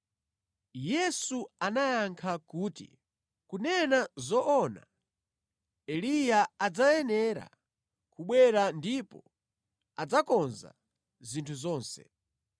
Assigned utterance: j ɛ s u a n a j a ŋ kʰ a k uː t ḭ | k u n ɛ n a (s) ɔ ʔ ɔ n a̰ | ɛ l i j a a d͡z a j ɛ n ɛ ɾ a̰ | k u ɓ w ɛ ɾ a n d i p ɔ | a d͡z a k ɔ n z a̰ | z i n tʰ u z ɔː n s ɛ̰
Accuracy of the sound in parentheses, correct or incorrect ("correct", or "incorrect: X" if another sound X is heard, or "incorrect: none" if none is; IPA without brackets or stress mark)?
incorrect: z